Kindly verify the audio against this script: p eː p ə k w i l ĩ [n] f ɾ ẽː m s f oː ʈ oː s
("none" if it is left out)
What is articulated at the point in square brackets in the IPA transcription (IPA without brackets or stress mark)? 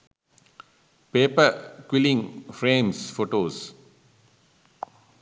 ŋ